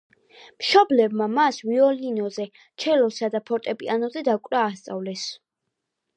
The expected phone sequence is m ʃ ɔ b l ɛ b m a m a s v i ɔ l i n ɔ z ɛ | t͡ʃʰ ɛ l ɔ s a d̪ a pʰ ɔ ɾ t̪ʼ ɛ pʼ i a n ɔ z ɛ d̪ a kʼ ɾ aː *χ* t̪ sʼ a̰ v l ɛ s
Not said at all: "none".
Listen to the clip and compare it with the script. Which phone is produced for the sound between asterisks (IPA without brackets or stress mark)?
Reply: s